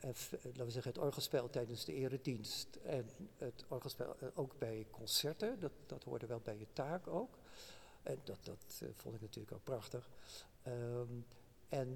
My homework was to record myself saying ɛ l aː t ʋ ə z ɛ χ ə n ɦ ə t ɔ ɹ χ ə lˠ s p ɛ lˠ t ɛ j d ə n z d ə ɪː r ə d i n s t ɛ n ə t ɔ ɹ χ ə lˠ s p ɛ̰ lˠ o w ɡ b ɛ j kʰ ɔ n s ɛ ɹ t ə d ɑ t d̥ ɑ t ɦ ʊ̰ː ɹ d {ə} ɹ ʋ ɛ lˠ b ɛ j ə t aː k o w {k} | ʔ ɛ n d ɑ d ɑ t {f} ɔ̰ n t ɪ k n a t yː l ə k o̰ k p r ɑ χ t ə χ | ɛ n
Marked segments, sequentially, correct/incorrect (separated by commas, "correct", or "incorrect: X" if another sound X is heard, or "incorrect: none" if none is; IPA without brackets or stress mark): correct, correct, correct